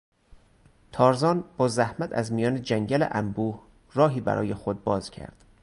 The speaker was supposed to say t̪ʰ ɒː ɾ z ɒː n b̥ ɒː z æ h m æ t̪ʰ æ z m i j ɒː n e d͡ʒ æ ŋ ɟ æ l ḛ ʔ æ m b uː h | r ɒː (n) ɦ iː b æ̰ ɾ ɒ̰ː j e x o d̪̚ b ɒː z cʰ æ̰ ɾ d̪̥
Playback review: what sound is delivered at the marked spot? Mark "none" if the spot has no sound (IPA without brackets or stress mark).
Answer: none